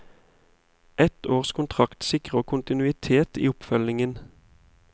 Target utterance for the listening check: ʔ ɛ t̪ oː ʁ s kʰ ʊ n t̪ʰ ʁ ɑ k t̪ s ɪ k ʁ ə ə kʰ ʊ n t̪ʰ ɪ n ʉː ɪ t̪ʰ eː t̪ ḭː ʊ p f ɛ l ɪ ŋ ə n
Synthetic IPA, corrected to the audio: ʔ ɛ t̪ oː ʁ s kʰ ʊ n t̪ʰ ʁ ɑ k t̪ s ɪ k ʁ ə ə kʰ ʊ n t̪ ɪ n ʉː ɪ t̪ʰ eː t̪ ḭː ʊ p f œ l ɪ ŋ ə n